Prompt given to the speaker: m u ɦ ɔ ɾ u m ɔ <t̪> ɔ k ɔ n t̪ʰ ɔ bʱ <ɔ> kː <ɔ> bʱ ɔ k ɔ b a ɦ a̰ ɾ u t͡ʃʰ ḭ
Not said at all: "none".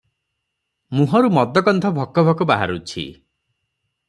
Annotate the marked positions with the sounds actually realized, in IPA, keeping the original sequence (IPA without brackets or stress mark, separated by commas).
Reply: d̪, ɔ, ɔ